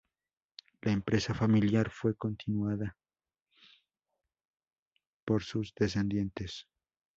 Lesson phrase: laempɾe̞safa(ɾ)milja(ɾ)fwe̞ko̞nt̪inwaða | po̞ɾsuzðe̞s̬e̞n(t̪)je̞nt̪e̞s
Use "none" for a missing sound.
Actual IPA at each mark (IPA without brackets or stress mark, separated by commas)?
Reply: none, ɾ, d̪